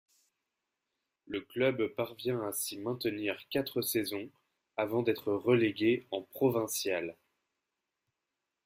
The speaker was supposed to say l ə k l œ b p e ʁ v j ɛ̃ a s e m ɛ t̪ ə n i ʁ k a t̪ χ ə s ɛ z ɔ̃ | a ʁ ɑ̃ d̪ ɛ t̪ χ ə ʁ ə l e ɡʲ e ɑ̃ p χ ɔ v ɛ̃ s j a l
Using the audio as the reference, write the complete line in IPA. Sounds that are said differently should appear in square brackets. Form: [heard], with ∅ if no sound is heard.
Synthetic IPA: l ə k l œ b p [a] ʁ v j ɛ̃ a s [i] m [ɛ̃] t̪ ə n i ʁ k a t̪ χ ə s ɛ z ɔ̃ | a [v] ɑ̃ d̪ ɛ t̪ χ ə ʁ ə l e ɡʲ e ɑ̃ p χ ɔ v ɛ̃ s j a l